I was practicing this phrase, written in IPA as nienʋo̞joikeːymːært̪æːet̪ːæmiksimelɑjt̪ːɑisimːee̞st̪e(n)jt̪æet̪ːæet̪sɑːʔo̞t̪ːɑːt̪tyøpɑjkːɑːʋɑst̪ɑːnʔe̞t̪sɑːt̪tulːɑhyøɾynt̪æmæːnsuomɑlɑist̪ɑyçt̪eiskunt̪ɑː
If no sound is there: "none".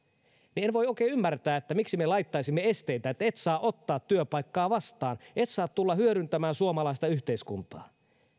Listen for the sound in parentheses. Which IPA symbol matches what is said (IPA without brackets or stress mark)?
none